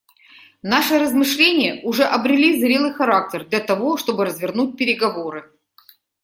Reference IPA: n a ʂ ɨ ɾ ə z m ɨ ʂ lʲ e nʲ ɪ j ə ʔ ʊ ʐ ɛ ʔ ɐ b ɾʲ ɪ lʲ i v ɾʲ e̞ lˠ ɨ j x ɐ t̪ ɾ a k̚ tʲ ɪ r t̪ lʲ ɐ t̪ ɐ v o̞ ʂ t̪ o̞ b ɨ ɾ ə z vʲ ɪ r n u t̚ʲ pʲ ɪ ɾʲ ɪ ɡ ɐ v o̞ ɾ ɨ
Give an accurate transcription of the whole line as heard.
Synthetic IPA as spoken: n a ʂ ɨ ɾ ə z m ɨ ʂ lʲ e nʲ ɪ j ə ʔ ʊ ʐ ɛ ʔ ɐ b ɾʲ ɪ lʲ i z ɾʲ e̞ lˠ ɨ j x ɐ ɾ a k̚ tʲ ɪ r d̪ lʲ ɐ t̪ ɐ v o̞ ʂ t̪ o̞ b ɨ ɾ ə z vʲ ɪ r n u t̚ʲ pʲ ɪ ɾʲ ɪ ɡ ɐ v o̞ ɾ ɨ